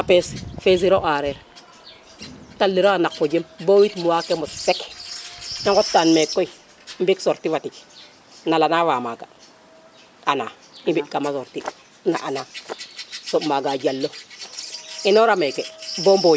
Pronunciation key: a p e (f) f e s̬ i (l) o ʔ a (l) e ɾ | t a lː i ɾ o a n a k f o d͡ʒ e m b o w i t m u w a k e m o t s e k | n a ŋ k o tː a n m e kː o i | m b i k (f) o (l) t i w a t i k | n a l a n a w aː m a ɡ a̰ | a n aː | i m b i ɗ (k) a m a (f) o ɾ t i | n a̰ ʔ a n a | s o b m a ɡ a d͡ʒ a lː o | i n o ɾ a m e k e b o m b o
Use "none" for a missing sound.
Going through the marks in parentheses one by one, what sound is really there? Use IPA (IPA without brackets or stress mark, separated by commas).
s, ɾ, ɾ, s, ɾ, k, s